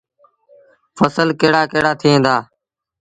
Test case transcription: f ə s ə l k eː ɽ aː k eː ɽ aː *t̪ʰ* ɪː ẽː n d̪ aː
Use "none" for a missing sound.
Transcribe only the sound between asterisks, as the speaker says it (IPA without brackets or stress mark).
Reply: t̪ʰ